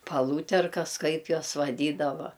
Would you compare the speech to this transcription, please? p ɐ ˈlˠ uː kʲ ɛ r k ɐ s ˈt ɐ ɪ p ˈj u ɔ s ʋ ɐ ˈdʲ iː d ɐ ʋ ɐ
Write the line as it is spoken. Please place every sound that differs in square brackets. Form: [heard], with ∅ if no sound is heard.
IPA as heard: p ɐ ˈlˠ uː [tʲ] ɛ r k ɐ s [ˈk] ɐ ɪ p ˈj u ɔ s ʋ ɐ ˈdʲ iː d ɐ ʋ ɐ